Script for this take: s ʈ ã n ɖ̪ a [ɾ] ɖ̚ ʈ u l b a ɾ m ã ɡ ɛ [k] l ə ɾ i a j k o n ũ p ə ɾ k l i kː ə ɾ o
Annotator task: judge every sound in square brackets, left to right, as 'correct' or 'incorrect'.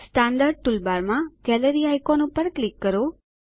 correct, incorrect: none

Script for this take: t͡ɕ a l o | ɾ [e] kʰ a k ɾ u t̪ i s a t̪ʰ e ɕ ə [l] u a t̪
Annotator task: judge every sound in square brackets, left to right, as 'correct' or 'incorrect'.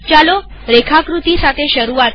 correct, incorrect: ɾ

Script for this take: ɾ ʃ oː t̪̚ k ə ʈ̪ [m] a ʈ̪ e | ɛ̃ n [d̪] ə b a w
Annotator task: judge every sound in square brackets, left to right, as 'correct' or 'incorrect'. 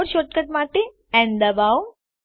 correct, correct

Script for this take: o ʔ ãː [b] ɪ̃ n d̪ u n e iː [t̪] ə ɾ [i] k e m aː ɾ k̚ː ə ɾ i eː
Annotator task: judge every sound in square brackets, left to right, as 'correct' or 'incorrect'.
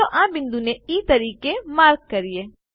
correct, correct, incorrect: iː

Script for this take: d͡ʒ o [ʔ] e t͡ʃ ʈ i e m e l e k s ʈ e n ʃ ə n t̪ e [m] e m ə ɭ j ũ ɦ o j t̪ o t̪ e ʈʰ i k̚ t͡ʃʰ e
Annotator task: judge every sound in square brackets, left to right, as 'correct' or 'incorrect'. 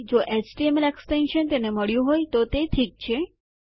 correct, incorrect: n

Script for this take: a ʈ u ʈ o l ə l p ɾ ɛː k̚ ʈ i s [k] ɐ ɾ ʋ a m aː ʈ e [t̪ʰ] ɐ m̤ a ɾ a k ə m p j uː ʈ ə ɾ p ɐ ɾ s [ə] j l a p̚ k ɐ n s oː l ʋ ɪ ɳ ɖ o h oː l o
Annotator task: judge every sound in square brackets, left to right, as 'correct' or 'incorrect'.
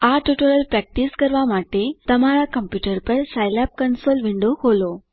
correct, incorrect: t̪, incorrect: a

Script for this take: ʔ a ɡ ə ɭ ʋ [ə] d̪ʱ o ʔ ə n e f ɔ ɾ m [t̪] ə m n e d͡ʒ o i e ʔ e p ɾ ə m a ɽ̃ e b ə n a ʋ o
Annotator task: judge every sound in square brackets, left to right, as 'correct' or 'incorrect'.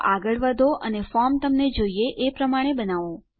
correct, correct

